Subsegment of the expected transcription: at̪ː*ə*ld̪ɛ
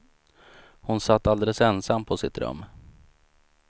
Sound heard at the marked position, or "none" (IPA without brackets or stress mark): a